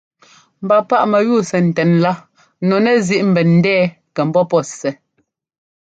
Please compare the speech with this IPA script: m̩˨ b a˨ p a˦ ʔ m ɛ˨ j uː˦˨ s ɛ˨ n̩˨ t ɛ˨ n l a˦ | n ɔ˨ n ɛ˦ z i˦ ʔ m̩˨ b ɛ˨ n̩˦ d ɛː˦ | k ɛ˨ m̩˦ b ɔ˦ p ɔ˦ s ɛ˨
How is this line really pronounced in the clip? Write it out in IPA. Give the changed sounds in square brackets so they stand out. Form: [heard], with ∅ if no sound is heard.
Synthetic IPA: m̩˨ b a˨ p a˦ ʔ m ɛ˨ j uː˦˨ s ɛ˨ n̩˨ t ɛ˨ n l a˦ | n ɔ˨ n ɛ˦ z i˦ ʔ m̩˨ b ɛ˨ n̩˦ d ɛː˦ | k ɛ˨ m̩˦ b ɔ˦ p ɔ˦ s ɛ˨